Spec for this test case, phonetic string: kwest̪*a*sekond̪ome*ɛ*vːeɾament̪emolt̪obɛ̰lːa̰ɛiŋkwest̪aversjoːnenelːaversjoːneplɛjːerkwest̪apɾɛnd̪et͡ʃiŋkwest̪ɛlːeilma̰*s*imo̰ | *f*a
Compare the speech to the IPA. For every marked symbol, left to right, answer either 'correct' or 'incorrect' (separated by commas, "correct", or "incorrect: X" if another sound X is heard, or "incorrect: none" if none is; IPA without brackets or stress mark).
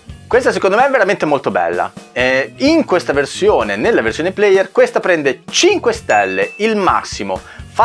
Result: correct, correct, incorrect: sː, correct